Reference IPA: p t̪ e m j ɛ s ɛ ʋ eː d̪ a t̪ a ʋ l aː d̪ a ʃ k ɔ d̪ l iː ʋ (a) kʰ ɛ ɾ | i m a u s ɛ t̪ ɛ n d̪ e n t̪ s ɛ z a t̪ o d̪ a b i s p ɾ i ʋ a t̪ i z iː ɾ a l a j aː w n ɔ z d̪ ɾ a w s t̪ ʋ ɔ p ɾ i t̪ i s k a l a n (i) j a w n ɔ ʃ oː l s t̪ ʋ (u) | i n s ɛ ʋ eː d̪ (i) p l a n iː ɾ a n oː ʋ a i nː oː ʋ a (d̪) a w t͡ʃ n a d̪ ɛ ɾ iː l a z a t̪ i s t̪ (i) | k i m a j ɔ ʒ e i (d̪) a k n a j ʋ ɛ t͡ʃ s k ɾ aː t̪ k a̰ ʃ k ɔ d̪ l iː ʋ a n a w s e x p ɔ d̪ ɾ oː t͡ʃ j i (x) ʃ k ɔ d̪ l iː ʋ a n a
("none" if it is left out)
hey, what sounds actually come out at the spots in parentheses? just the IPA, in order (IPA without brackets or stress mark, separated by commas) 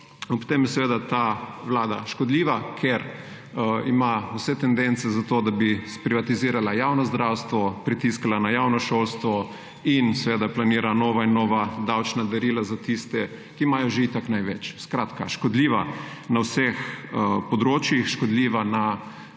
a, a, ɔ, a, d̪, ɛ, t̪, x